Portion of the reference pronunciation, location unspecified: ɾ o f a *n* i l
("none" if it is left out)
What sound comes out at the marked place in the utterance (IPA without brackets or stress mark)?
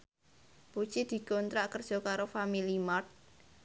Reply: m